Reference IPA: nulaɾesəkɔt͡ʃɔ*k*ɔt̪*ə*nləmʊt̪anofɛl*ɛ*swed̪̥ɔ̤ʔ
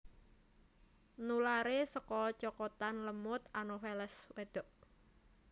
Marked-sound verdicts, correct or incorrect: correct, incorrect, correct

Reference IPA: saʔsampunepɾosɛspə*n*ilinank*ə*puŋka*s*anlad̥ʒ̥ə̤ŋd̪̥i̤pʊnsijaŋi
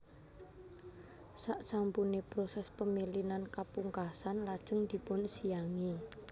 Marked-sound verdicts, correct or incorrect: incorrect, incorrect, correct

